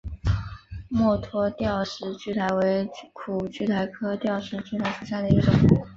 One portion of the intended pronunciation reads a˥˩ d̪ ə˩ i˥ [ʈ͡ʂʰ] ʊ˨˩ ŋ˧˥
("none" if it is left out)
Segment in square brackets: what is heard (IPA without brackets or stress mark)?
ʈ͡ʂ